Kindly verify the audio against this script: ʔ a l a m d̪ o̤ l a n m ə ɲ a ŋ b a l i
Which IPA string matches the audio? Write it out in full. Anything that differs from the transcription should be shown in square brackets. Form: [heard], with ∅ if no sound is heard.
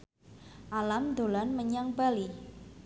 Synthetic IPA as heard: ʔ a l a m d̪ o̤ l a n m ə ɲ a ŋ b a l i